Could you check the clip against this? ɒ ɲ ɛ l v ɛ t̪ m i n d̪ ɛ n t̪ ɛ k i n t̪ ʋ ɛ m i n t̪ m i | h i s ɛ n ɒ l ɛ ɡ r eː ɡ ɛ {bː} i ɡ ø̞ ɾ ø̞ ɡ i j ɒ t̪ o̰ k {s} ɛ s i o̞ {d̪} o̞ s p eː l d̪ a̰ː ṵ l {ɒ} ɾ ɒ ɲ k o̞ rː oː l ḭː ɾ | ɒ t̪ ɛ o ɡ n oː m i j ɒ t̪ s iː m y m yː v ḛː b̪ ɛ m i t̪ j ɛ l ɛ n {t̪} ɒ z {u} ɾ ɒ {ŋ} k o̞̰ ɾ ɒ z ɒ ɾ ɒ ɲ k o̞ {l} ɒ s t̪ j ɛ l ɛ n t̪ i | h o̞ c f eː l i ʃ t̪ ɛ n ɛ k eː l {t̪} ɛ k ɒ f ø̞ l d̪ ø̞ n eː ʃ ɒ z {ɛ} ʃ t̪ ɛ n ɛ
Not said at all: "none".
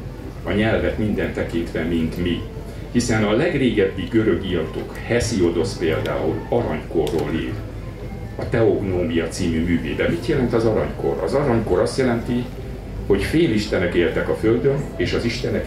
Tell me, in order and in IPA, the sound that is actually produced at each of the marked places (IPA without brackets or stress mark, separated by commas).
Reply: bː, h, d̪, ɒ, t̪, ɒ, ɲ, ɾ, t̪, i